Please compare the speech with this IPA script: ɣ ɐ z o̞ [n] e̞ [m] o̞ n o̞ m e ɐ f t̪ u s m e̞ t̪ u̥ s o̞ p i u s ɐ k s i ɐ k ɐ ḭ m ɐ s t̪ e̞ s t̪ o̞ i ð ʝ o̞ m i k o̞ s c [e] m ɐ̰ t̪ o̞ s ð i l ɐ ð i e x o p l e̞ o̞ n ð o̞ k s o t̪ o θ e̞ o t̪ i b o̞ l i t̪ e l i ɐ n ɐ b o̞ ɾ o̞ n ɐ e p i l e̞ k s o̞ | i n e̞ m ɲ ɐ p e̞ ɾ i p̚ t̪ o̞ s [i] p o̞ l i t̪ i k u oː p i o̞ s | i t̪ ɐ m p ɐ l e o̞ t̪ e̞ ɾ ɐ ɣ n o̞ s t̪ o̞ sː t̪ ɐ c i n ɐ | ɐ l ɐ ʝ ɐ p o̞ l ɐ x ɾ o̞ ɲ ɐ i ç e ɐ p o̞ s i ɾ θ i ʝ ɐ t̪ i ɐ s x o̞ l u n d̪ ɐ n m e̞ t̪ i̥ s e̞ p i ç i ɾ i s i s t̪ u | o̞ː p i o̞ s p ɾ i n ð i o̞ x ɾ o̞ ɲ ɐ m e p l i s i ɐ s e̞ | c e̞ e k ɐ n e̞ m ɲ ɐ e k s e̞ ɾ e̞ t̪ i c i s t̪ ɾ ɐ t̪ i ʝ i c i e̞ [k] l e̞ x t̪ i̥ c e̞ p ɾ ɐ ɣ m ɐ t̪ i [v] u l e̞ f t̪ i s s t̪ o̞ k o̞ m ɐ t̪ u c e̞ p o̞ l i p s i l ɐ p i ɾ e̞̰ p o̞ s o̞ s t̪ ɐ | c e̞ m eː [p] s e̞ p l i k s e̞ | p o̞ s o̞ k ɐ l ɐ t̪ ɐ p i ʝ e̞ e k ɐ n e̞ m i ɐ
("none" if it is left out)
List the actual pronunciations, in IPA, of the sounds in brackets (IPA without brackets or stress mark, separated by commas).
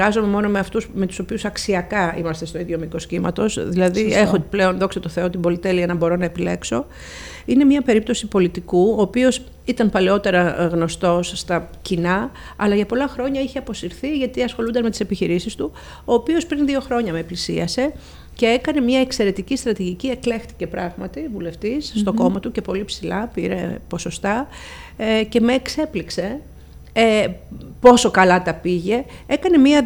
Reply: m, m, i, i, k, v, k